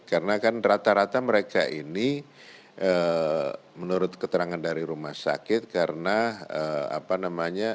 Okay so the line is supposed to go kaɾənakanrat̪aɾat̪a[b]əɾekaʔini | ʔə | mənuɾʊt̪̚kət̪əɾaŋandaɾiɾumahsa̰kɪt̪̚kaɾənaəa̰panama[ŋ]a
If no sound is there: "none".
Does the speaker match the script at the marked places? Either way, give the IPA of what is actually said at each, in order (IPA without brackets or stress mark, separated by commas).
m, ɲ